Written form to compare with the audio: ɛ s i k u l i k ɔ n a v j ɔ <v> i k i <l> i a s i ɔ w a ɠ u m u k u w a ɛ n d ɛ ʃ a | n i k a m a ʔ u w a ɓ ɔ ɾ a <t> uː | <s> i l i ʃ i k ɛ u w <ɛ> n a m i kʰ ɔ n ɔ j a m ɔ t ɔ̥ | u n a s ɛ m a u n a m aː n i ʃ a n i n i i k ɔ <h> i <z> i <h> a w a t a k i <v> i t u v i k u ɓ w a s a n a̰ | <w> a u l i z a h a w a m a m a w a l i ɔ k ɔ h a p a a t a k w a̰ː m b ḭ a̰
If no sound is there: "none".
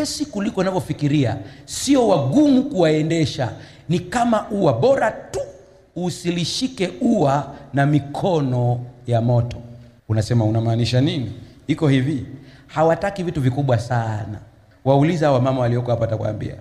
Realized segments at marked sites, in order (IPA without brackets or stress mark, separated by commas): f, ɾ, t, s, a, h, v, h, v, w